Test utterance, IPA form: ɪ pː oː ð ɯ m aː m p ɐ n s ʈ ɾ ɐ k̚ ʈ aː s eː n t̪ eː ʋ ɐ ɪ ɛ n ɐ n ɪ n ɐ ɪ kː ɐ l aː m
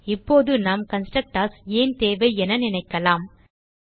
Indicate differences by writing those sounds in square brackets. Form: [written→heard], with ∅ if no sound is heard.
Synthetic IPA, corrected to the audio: ɪ pː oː ð ɯ [m→n] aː m [p→k] ɐ n s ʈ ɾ ɐ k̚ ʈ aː s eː n t̪ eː ʋ ɐ ɪ ɛ n ɐ n ɪ n ɐ ɪ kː ɐ l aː m